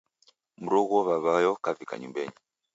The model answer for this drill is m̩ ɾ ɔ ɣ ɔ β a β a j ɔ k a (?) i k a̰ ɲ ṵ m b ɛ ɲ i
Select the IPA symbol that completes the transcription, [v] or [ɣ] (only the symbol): v